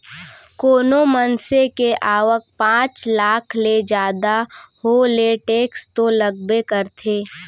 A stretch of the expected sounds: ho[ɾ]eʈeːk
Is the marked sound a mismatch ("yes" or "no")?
yes